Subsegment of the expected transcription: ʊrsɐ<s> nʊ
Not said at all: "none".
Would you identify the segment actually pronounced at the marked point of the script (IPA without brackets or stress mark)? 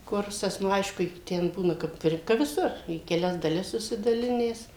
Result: s